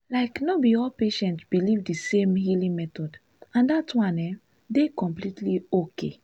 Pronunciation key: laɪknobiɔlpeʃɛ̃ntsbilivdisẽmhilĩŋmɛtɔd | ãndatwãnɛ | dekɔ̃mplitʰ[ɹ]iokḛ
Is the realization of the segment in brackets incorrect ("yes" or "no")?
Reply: yes